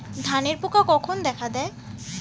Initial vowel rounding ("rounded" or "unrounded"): unrounded